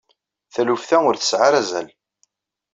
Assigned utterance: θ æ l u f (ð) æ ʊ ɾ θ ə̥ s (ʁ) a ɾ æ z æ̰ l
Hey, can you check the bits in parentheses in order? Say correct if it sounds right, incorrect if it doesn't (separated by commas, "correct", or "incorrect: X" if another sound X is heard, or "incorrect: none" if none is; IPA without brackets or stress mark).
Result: incorrect: θ, incorrect: ʕ